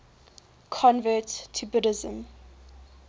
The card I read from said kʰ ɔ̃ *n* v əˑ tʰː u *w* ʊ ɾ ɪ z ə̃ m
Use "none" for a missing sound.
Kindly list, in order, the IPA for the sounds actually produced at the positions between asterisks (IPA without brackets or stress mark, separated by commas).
n, b